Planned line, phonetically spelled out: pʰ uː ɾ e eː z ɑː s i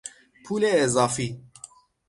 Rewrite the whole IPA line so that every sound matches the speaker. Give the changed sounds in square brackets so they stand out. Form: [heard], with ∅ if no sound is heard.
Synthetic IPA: pʰ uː [l] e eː z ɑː [f] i